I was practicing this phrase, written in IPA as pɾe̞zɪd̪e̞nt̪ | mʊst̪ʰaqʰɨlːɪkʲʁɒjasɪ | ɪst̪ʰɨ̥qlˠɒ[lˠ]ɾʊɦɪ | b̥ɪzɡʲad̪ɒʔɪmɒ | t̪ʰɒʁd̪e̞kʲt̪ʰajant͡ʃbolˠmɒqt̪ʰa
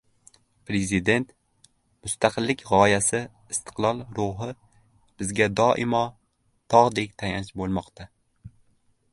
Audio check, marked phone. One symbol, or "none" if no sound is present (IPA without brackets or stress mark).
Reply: lˠ